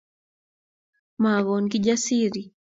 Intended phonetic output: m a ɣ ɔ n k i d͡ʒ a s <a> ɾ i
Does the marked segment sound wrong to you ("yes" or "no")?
yes